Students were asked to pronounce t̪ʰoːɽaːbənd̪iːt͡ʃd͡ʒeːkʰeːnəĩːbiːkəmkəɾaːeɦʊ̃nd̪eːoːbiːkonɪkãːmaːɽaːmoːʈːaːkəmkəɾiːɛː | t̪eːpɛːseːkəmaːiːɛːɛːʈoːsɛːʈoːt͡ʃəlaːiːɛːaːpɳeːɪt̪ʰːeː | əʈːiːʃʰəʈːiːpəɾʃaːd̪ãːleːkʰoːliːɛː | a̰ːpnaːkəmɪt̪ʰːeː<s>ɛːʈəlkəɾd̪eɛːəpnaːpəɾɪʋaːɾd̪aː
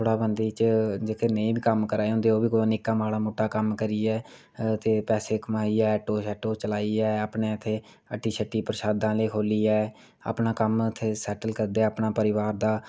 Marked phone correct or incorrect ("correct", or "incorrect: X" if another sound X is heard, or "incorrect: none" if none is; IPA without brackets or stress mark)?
correct